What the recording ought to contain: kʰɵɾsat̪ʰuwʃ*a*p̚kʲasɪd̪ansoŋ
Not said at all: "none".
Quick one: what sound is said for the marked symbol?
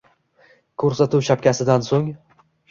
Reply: a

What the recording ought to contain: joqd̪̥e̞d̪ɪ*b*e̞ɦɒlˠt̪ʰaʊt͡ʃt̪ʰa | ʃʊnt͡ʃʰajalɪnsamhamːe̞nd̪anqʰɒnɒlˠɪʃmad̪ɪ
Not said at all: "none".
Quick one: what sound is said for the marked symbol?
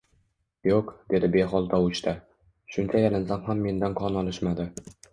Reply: b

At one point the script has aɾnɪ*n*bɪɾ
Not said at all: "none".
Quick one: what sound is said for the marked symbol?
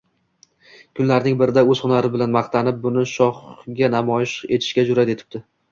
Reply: ŋ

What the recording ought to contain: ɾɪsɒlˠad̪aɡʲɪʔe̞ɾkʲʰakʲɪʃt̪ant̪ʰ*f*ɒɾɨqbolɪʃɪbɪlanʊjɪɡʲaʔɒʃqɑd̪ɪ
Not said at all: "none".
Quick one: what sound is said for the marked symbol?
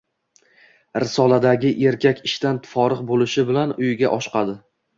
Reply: f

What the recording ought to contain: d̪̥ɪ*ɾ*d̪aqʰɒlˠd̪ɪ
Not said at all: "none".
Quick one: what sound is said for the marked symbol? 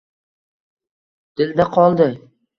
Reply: l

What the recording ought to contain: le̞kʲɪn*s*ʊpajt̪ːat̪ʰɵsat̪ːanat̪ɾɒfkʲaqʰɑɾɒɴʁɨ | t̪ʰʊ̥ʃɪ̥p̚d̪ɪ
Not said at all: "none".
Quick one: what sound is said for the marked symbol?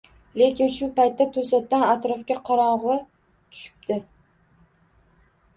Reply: ʃ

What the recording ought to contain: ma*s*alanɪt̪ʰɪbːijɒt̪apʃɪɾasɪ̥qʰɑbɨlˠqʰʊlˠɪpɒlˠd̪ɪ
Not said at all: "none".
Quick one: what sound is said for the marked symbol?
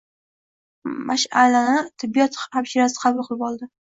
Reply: ʃ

